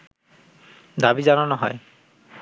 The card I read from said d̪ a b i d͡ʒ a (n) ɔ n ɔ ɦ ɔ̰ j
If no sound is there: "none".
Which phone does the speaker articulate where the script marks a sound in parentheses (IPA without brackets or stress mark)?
n